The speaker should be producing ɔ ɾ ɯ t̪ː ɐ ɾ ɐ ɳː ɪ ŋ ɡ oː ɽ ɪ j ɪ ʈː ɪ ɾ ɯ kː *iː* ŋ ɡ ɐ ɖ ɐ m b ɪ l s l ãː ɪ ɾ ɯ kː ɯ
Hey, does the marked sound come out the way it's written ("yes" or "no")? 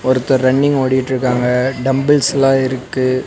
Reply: no